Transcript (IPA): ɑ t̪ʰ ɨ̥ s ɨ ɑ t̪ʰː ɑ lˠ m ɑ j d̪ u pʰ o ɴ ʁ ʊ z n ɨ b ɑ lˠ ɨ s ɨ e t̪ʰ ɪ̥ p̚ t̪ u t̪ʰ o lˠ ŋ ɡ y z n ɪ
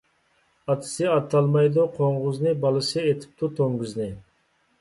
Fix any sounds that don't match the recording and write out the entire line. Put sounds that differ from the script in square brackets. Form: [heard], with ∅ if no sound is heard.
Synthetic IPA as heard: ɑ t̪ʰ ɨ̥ s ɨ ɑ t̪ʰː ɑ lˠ m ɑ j d̪ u [qʰ] o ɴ ʁ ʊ z n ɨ b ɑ lˠ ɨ s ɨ e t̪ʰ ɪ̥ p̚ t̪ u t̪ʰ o [∅] ŋ ɡ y z n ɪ